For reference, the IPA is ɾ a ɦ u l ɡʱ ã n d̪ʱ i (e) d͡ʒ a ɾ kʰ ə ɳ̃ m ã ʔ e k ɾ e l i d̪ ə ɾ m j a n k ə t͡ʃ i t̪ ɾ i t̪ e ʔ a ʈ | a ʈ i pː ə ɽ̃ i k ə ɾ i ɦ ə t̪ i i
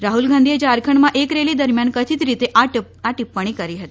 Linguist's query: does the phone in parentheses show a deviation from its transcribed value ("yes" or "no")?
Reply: no